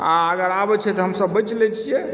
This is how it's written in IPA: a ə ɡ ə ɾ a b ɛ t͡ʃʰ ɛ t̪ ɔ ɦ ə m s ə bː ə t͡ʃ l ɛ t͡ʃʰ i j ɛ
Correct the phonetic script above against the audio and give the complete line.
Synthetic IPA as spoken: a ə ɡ ə ɾ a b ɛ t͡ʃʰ ɛ t̪ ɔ ɦ ə m s ə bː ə t͡ʃ l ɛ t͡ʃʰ i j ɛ